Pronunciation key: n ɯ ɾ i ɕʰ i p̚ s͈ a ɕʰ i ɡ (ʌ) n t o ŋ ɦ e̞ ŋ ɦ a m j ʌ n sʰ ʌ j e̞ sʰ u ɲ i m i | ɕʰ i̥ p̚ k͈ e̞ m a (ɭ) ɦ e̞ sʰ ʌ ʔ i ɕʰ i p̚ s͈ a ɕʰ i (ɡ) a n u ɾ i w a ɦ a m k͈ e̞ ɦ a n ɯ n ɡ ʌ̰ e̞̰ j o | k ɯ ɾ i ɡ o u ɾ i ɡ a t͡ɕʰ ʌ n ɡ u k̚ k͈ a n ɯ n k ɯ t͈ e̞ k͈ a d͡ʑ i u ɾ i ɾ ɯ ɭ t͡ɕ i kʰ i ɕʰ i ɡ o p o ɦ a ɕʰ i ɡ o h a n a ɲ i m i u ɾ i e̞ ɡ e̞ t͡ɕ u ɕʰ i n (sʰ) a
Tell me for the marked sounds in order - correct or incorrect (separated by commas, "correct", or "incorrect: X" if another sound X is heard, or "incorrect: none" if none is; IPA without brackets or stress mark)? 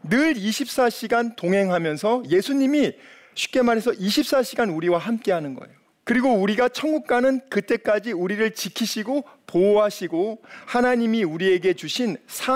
incorrect: a, incorrect: ɾ, correct, correct